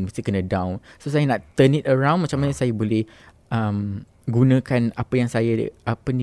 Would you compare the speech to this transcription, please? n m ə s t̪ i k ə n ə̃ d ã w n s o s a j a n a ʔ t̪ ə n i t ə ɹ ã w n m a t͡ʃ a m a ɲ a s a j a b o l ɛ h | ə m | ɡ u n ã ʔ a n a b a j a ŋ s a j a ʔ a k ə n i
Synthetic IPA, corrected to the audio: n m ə s t̪ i k ə n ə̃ d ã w n s o s a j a n a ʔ t̪ ə n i t ə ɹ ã w n m a t͡ʃ a m a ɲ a s a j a b o l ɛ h | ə m | ɡ u n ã k a n a p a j a ŋ s a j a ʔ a p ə n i